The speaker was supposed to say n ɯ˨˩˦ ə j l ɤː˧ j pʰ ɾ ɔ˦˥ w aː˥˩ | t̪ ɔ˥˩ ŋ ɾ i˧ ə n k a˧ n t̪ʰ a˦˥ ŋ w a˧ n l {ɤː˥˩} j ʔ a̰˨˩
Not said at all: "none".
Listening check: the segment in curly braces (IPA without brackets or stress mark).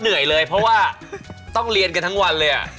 ɤː˧